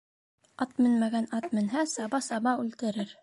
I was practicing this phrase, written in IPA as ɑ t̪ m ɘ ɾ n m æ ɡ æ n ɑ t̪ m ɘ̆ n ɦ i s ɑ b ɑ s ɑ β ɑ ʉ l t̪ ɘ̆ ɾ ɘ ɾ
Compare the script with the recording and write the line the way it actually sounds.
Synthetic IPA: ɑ t̪ m ɘ n m æ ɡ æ n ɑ t̪ m ɘ̆ n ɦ æ s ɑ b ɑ s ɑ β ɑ ʉ l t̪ ɘ̆ ɾ ɘ ɾ